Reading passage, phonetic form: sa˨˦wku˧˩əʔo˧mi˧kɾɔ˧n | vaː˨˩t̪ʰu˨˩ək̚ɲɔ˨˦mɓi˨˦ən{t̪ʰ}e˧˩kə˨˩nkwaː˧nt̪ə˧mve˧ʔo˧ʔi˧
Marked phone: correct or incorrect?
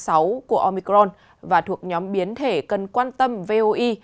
correct